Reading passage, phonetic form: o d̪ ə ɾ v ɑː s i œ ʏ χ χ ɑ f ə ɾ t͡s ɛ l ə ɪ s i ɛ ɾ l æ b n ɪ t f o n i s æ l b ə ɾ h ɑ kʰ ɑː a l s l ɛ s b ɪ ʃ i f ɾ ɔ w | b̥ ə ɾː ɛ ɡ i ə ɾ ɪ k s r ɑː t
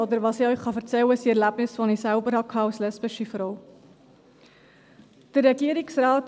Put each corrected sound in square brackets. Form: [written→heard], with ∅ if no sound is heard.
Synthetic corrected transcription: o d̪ ə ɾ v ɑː s i œ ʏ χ χ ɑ f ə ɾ t͡s ɛ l ə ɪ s i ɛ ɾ l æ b n ɪ [t→s] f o n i s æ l b ə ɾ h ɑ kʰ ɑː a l s l ɛ s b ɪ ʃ i f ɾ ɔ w | [b̥→d̥] ə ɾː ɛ ɡ i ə ɾ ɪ k s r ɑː t